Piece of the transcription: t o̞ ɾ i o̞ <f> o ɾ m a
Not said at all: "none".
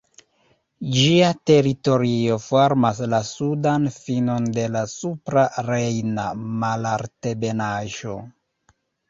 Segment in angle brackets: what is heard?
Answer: f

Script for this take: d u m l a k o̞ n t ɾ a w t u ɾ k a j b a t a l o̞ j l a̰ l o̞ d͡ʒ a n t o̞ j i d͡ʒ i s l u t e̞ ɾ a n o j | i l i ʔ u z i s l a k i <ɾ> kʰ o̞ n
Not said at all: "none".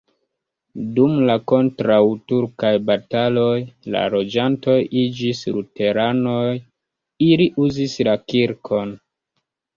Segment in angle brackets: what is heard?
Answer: ɾ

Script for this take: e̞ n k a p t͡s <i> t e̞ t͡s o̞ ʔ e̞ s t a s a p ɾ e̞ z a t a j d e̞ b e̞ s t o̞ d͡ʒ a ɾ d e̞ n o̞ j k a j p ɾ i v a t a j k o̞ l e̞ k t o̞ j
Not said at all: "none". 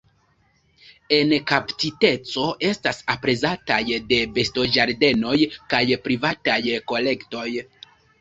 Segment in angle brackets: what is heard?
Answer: i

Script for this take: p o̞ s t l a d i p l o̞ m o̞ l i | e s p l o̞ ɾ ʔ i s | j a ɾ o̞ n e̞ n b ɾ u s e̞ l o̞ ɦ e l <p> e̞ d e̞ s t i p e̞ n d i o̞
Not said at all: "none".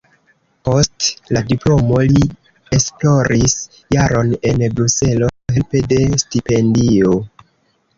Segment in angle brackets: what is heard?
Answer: p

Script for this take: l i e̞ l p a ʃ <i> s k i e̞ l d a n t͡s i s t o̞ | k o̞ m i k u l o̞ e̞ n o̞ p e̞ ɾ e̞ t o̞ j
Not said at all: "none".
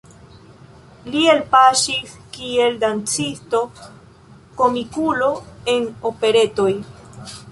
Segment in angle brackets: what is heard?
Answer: i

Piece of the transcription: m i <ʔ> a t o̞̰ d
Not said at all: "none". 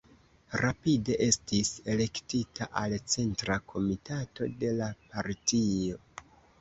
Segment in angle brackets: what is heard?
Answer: t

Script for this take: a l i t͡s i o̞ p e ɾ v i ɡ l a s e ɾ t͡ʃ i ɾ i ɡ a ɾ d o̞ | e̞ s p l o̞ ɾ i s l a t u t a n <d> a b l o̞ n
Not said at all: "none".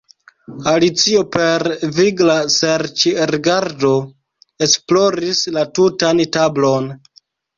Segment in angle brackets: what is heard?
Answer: t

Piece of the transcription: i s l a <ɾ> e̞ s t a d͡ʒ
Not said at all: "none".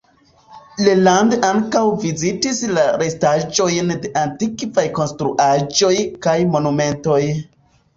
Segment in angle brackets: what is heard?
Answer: ɾ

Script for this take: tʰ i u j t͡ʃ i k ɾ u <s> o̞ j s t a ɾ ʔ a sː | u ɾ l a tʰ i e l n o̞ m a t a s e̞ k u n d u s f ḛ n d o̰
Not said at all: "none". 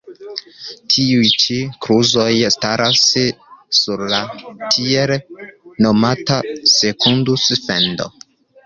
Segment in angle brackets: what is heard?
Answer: z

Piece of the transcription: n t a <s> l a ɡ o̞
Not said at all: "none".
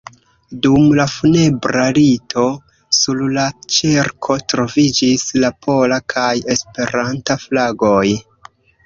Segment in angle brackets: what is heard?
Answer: f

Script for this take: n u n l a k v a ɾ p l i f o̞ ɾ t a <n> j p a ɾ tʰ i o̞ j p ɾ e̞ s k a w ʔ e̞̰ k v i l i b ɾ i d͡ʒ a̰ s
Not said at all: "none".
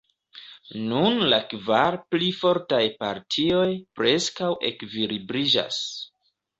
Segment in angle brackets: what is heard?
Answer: none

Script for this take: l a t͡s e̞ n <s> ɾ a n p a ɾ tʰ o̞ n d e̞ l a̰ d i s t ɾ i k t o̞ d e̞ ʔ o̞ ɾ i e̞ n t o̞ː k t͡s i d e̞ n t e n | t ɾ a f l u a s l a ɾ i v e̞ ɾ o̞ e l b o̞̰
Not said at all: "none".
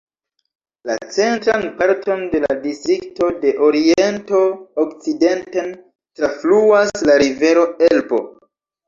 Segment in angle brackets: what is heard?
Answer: t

